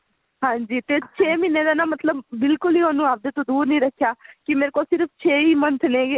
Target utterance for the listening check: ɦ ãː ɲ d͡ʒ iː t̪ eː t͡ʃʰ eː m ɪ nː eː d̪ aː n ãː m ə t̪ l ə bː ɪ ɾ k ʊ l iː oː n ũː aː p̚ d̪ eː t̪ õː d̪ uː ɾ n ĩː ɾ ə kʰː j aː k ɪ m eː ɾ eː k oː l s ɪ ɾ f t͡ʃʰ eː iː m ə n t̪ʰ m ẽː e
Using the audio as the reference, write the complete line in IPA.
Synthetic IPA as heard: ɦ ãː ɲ d͡ʒ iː t̪ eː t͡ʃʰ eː m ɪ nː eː d̪ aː n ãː m ə t̪ l ə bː ɪ l k ʊ l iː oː n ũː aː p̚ d̪ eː t̪ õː d̪ uː ɾ n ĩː ɾ ə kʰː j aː k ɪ m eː ɾ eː k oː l s ɪ ɾ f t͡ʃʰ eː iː m ə n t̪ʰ n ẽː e